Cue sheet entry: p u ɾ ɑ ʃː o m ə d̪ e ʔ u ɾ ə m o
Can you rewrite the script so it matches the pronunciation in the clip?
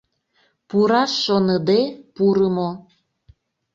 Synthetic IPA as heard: p u ɾ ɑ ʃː o n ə d̪ e p u ɾ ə m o